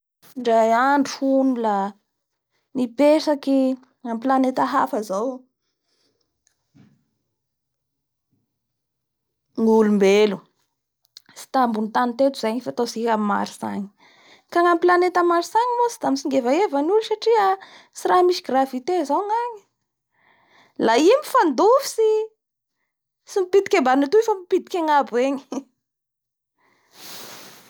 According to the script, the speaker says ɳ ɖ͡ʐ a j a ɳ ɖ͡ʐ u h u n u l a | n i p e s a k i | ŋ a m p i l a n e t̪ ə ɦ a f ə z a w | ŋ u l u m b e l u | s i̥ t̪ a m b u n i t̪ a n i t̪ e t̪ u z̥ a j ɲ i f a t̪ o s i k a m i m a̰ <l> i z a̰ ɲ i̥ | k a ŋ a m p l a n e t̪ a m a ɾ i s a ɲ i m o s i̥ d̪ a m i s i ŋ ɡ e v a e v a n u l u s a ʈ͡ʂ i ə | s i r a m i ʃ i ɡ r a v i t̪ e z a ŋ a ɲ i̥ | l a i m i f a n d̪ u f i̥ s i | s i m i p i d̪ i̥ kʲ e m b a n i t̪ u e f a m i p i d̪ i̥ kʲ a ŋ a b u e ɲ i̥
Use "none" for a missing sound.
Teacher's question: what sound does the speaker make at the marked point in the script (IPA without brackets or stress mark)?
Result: ɾ